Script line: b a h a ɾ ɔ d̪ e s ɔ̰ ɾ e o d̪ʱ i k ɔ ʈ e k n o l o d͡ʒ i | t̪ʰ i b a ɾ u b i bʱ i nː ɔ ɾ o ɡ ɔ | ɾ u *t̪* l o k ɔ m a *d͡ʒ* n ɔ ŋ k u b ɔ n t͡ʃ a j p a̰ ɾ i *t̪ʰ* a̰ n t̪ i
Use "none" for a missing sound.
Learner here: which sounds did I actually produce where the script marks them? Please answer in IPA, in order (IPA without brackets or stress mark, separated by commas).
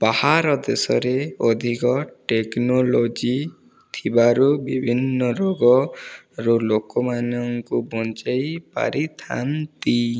none, none, t̪ʰ